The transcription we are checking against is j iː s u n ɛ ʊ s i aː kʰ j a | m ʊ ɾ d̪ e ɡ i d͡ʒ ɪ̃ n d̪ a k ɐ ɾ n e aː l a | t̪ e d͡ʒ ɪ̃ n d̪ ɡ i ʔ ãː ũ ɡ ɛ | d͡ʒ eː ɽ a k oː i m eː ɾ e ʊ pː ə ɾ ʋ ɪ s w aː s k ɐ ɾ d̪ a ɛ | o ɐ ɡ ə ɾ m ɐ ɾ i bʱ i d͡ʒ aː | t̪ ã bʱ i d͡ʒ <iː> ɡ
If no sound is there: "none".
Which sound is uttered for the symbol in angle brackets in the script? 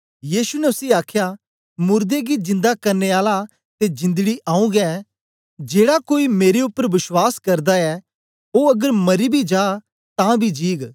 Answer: iː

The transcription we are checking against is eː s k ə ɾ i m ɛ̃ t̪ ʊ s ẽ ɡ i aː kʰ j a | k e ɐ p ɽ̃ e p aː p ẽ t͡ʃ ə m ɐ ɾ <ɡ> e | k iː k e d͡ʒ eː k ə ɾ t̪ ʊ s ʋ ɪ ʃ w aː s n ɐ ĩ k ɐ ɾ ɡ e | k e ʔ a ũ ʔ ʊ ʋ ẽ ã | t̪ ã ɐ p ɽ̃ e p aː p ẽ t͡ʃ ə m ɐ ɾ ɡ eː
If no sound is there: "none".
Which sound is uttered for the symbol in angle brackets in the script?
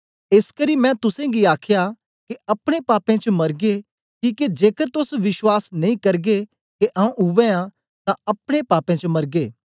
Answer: ɡ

